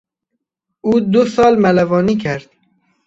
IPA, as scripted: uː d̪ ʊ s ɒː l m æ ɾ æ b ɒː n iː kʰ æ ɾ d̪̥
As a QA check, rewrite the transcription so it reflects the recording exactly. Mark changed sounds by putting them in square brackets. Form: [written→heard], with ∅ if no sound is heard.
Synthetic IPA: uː d̪ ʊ s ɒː l m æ [ɾ→l] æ [b→v] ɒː n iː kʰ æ ɾ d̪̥